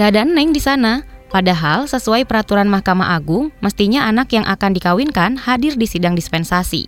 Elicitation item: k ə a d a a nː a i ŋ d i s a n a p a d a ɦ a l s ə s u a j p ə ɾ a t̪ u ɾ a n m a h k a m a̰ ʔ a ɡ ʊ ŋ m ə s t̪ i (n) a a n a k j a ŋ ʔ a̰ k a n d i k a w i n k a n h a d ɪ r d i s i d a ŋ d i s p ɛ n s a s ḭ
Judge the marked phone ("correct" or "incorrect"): incorrect